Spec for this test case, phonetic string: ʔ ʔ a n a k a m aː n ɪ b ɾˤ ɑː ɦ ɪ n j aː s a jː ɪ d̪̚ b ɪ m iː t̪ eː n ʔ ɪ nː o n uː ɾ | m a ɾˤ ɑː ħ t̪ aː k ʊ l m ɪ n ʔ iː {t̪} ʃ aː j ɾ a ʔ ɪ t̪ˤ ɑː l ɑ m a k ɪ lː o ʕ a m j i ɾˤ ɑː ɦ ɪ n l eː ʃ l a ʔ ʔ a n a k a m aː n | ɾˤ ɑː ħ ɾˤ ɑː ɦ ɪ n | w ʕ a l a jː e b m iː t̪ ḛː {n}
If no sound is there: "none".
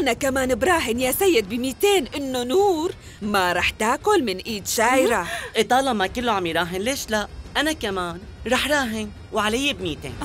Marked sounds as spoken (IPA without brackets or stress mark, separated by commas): d̪, n